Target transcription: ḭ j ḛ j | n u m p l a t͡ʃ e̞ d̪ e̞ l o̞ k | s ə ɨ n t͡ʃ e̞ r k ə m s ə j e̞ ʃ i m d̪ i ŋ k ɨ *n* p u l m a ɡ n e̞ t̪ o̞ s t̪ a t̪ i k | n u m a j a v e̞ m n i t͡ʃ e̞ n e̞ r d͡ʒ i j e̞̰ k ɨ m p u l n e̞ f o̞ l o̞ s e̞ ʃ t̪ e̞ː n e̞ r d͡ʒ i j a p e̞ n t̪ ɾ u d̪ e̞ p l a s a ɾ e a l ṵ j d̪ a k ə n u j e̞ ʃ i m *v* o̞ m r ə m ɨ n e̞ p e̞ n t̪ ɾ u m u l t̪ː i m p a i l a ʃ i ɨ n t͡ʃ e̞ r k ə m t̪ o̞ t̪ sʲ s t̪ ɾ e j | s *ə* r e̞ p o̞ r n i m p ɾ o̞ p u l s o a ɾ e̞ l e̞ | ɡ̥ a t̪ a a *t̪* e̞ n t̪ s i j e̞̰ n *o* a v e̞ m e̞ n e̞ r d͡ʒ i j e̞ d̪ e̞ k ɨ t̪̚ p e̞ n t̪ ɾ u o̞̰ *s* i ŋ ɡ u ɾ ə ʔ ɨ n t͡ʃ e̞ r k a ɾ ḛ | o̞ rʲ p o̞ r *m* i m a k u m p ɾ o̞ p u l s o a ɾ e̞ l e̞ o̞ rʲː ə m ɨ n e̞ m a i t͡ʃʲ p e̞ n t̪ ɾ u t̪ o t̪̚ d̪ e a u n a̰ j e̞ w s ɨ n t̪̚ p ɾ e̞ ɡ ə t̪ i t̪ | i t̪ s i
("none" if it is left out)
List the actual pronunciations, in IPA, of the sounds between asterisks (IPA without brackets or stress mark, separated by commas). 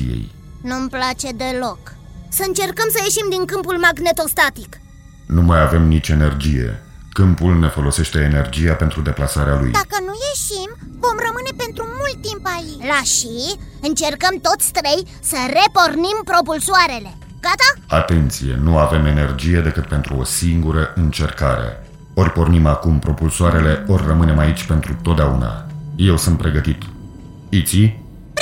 m, v, ə, t̪, u, s, n